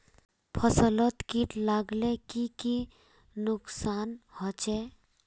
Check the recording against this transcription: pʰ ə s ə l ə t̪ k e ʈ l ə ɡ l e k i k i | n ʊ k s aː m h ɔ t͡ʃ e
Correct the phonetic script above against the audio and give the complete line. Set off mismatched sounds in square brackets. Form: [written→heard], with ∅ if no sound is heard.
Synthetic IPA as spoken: pʰ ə s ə l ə t̪ k [e→i] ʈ l [ə→a] ɡ l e k i k i | n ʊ k s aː [m→n] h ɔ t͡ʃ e